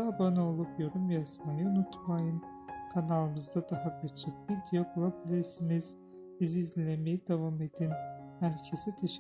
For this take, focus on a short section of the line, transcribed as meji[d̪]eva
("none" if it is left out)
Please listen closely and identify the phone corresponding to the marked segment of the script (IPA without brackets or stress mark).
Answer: d̪